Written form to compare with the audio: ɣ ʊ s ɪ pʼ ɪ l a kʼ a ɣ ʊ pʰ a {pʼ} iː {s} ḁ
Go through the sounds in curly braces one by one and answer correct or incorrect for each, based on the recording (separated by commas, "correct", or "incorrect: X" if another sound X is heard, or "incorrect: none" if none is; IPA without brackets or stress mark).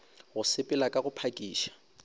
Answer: incorrect: kʼ, incorrect: ʃ